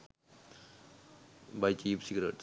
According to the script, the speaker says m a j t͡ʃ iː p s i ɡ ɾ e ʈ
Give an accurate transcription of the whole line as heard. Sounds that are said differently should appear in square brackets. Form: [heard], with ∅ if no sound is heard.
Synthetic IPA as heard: [b] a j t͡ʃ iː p s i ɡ ɾ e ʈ